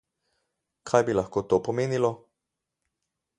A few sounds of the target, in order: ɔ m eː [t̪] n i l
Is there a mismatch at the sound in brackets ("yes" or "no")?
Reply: yes